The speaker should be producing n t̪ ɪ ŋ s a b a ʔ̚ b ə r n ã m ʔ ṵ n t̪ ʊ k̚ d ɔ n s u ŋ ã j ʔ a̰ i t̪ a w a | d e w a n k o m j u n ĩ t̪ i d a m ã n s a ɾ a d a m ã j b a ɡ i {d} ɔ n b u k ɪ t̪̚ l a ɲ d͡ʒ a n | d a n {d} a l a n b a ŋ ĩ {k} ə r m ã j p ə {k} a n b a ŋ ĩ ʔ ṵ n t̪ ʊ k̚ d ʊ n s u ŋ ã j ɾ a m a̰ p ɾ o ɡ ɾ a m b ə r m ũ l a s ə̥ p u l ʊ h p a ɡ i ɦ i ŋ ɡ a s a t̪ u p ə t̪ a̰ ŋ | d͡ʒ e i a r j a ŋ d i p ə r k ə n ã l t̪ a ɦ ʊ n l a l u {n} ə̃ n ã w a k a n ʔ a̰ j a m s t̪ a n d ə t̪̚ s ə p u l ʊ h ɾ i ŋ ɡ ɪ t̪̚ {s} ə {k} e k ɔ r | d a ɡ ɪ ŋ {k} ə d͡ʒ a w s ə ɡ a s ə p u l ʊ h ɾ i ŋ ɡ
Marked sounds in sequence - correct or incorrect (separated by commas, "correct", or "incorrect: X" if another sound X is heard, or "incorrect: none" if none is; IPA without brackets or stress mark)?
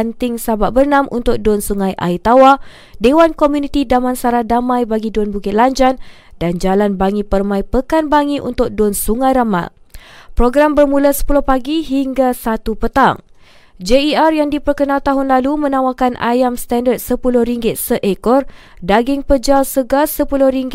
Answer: correct, incorrect: d͡ʒ, incorrect: p, correct, incorrect: m, correct, incorrect: ʔ, incorrect: p